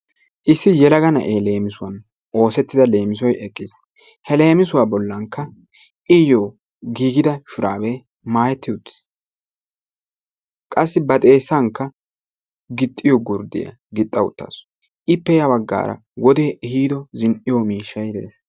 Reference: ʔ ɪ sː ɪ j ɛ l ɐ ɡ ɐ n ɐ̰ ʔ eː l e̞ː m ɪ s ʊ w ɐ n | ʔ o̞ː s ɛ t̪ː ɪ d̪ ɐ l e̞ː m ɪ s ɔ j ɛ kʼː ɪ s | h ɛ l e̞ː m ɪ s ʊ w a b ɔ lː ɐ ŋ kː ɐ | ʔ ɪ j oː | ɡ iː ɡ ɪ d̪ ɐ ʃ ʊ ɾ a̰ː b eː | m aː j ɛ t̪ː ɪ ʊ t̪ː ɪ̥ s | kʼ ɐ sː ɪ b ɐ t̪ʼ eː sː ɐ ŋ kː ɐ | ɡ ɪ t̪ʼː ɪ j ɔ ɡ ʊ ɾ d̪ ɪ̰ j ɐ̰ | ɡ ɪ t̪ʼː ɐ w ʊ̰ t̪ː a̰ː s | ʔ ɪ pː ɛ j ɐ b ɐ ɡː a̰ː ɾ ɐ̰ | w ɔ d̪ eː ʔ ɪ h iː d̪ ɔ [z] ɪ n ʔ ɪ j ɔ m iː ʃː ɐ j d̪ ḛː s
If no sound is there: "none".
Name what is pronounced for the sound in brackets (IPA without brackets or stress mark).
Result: z